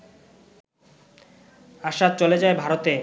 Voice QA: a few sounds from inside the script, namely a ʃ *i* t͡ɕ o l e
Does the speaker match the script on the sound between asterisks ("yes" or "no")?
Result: no